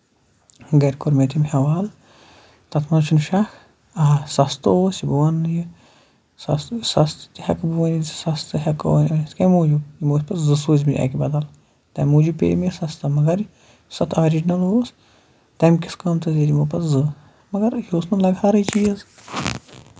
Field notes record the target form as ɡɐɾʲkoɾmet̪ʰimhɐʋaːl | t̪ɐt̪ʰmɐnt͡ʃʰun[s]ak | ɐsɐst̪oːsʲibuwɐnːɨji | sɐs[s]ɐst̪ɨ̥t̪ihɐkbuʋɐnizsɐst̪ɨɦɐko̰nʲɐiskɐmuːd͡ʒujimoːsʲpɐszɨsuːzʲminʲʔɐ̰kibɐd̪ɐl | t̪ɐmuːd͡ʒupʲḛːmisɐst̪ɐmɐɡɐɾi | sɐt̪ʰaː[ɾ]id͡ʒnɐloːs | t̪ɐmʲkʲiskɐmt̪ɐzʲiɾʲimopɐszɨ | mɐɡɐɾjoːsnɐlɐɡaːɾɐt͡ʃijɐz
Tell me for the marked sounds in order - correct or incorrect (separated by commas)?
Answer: incorrect, correct, correct